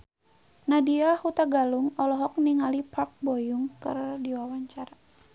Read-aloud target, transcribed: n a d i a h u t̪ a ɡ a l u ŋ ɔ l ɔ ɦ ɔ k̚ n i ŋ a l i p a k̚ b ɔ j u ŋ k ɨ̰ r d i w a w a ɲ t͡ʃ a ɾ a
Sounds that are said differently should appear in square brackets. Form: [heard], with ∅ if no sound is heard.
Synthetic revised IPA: n a d i a h u t̪ a ɡ a l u ŋ ɔ l ɔ ɦ ɔ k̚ n i ŋ a l i p a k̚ b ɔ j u ŋ k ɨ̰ r d i w a w a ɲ t͡ʃ a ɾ a